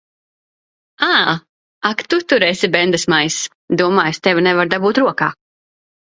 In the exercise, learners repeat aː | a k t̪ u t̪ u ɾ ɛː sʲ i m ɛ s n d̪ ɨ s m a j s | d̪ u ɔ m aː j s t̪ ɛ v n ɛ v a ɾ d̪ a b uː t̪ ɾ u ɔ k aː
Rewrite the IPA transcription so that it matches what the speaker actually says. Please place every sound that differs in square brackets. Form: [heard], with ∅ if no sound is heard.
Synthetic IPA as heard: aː | a k t̪ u t̪ u ɾ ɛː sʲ i [b] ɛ [∅] n d̪ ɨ s m a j s | d̪ u ɔ m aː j s t̪ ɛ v n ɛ v a ɾ d̪ a b uː t̪ ɾ u ɔ k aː